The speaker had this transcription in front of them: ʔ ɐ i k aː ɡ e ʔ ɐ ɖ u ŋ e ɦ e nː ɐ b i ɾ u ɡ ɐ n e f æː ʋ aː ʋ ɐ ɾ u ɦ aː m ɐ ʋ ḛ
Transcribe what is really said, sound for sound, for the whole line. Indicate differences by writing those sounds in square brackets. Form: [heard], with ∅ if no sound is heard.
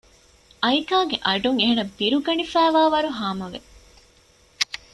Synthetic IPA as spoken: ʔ ɐ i k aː ɡ e ʔ ɐ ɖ u ŋ e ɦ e [n] ɐ b i ɾ u ɡ ɐ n [i] f æː ʋ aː ʋ ɐ ɾ u ɦ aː m ɐ ʋ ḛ

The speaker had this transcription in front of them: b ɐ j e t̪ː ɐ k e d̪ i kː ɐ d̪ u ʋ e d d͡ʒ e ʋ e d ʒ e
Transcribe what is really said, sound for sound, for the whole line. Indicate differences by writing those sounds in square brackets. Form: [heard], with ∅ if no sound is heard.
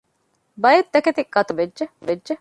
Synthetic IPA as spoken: b ɐ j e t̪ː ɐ k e [t̪] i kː ɐ [t̪] u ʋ e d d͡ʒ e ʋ e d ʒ e

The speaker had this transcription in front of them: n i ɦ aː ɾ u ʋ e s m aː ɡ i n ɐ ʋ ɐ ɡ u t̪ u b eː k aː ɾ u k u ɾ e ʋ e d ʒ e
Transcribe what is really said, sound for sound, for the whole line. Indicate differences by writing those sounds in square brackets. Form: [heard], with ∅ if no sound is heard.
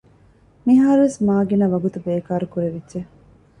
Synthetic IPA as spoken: [m] i ɦ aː ɾ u ʋ e s m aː ɡ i n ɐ ʋ ɐ ɡ u t̪ u b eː k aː ɾ u k u ɾ e ʋ [i] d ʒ e

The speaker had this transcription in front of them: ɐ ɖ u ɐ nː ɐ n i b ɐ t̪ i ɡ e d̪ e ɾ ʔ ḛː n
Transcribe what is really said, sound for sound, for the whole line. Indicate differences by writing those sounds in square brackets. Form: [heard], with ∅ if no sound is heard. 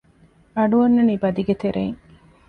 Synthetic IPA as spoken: ɐ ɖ u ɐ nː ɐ n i b ɐ [d̪] i ɡ e [t̪] e ɾ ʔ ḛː [ŋ]

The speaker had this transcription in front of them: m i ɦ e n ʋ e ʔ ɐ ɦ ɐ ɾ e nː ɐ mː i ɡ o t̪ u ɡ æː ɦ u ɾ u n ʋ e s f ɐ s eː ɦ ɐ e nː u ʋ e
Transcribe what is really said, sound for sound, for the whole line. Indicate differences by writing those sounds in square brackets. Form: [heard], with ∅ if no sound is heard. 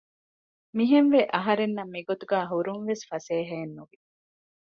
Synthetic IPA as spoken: m i ɦ e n ʋ e ʔ ɐ ɦ ɐ ɾ e nː ɐ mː i ɡ o t̪ u ɡ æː ɦ u ɾ u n ʋ e s f ɐ s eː ɦ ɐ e nː u ʋ [i]

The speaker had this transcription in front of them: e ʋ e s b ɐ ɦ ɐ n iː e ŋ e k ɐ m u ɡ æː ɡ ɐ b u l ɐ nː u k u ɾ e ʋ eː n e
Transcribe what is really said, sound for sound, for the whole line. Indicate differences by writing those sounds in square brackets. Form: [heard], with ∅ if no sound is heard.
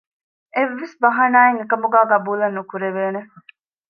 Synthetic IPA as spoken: e [ʋː] e s b ɐ ɦ ɐ n [aː] e ŋ e k ɐ m u ɡ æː ɡ ɐ b [uː] l ɐ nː u k u ɾ e ʋ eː n e

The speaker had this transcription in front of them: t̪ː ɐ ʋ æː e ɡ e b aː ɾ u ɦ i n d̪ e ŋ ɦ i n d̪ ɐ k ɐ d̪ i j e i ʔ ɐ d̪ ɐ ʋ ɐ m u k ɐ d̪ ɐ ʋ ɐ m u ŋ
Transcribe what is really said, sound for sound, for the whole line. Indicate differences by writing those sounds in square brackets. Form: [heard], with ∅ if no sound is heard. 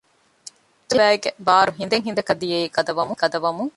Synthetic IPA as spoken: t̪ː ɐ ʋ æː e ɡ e b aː ɾ u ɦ i n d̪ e ŋ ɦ i n d̪ ɐ k ɐ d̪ i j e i [k] ɐ d̪ ɐ ʋ ɐ m u k ɐ d̪ ɐ ʋ ɐ m u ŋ

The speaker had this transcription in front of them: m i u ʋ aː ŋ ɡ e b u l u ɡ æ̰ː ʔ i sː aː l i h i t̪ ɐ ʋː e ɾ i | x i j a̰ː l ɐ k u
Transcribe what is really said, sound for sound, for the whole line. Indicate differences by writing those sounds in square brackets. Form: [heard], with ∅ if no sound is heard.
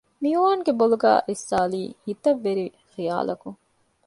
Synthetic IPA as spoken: m i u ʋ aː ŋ ɡ e b [o] l u ɡ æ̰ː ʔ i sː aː l [iː] h i t̪ ɐ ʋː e ɾ i | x i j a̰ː l ɐ k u

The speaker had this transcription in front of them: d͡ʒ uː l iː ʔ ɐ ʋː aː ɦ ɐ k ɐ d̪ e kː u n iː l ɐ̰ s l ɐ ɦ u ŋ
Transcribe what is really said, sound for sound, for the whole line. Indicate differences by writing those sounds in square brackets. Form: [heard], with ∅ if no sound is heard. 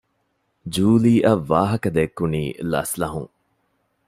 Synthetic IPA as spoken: d͡ʒ uː l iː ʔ ɐ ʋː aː ɦ ɐ k ɐ d̪ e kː u n iː l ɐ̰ s l ɐ ɦ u ŋ

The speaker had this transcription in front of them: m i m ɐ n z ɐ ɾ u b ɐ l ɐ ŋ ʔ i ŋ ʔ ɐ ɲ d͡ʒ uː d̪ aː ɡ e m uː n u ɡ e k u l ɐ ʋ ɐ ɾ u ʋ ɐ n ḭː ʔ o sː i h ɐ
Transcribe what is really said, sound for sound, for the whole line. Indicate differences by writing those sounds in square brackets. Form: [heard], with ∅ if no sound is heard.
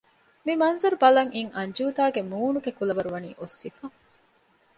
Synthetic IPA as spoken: m i m ɐ n z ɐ ɾ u b ɐ l ɐ ŋ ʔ i ŋ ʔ ɐ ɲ d͡ʒ uː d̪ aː ɡ e m uː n u ɡ e k u l ɐ ʋ ɐ ɾ u ʋ ɐ n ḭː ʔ o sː i [f] ɐ

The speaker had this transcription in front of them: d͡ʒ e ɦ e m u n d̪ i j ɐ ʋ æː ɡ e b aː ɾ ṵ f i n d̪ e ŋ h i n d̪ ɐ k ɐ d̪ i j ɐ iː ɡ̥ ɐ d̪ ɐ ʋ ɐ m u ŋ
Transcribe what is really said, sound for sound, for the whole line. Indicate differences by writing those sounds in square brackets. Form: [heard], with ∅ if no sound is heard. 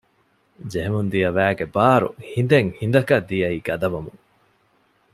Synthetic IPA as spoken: d͡ʒ e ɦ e m u n d̪ i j ɐ ʋ æː ɡ e b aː ɾ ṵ [h] i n d̪ e ŋ h i n d̪ ɐ k ɐ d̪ i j ɐ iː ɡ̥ ɐ d̪ ɐ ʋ ɐ m u ŋ

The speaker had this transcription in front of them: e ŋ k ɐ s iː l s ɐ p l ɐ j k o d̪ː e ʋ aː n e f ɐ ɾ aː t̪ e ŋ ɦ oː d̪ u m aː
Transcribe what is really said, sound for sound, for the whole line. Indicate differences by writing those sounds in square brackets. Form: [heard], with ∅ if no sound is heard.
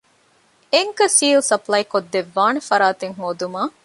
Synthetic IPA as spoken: e ŋ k ɐ s iː l s ɐ p l ɐ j k o d̪ː e [ʋː] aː n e f ɐ ɾ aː t̪ e ŋ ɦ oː d̪ u m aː

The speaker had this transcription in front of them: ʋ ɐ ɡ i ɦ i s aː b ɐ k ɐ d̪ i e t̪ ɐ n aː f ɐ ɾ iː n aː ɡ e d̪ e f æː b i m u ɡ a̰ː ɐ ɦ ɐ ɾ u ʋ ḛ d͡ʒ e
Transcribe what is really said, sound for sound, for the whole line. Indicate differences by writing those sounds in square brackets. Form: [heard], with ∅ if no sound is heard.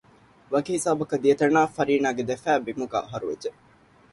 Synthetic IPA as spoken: ʋ ɐ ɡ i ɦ i s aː b ɐ k ɐ d̪ i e t̪ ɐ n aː f ɐ ɾ iː n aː ɡ e d̪ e f æː b i m u ɡ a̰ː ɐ ɦ ɐ ɾ u ʋ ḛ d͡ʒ e

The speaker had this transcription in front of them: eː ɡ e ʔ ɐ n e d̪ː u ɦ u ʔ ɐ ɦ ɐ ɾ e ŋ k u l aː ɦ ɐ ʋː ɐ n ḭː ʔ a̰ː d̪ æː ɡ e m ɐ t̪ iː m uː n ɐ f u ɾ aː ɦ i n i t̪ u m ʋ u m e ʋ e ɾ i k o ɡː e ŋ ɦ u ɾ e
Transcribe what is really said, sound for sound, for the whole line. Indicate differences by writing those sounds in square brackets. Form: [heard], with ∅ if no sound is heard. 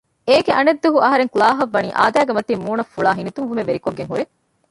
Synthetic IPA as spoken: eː ɡ e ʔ ɐ n e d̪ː u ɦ u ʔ ɐ ɦ ɐ ɾ e ŋ k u l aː ɦ ɐ ʋː ɐ n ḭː ʔ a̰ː d̪ æː ɡ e m ɐ t̪ iː m uː n ɐ f u [ɭ] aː ɦ i n i t̪ u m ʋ u m e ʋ e ɾ i k o ɡː e ŋ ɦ u ɾ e

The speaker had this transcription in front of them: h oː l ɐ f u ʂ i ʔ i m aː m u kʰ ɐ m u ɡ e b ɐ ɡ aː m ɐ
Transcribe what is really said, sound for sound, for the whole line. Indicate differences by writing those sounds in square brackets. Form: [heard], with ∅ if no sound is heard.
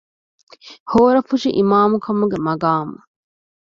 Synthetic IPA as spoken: h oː [ɾ] ɐ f u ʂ i ʔ i m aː m u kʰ ɐ m u ɡ e [m] ɐ ɡ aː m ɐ

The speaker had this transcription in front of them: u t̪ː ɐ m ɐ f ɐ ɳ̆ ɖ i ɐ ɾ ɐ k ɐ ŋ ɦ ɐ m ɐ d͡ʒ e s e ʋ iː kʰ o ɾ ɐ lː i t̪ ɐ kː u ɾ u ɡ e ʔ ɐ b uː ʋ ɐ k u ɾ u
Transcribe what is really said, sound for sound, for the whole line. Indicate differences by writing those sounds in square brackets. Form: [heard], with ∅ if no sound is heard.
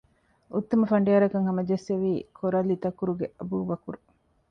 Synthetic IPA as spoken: u t̪ː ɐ m ɐ f ɐ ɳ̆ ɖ i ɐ ɾ ɐ k ɐ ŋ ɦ ɐ m ɐ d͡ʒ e s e ʋ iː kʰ o ɾ ɐ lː i t̪ ɐ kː u ɾ u ɡ e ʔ ɐ b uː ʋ ɐ k u ɾ u

